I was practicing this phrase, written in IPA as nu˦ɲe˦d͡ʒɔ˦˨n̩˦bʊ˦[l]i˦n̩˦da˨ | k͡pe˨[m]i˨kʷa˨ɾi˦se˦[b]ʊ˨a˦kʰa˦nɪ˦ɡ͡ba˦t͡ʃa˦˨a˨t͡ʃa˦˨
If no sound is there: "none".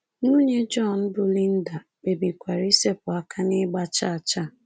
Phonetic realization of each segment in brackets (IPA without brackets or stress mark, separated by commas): l, b, p